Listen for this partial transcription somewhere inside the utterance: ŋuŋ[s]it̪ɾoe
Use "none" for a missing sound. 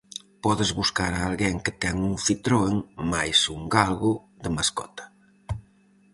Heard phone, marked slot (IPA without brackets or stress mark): f